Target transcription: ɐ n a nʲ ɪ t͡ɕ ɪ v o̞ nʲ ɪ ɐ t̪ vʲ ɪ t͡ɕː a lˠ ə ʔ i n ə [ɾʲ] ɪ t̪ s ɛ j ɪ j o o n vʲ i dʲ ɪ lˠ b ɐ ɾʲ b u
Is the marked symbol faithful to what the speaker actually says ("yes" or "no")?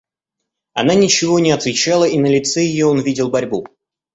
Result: no